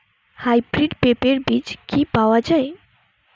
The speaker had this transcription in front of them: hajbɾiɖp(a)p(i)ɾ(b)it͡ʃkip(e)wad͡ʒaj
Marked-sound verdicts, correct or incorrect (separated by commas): incorrect, incorrect, correct, incorrect